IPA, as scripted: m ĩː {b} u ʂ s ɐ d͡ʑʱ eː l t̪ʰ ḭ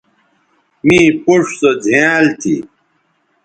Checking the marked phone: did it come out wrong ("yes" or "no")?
yes